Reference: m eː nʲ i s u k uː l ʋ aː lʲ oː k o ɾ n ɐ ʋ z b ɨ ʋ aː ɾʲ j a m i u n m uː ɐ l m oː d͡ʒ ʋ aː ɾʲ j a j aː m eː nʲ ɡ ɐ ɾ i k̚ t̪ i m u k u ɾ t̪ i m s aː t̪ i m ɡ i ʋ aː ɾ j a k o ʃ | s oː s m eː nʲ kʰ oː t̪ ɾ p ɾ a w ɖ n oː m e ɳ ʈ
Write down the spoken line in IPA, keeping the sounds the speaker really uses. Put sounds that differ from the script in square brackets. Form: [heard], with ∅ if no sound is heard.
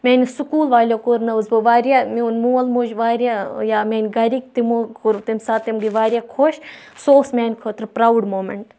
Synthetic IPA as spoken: m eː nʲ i s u k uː l ʋ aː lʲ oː k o ɾ n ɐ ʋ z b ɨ ʋ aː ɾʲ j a m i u n m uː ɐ l m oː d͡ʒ ʋ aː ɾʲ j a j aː m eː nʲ ɡ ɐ ɾ i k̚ t̪ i m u k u ɾ t̪ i m s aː t̪ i m ɡ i ʋ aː ɾ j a [kʰ] o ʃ | s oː s m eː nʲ kʰ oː t̪ ɾ p ɾ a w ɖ [m] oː m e ɳ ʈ